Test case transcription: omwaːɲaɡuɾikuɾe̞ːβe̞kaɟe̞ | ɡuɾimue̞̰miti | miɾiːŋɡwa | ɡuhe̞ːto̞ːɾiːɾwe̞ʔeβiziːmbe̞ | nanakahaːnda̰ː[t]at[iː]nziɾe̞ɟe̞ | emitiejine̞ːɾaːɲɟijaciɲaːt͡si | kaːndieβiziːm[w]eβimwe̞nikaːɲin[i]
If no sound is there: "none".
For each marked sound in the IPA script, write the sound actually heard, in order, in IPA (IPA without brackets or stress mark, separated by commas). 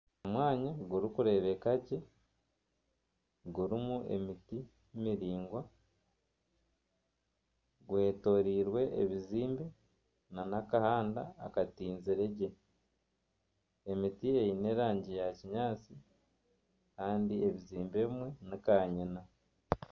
k, iː, b, a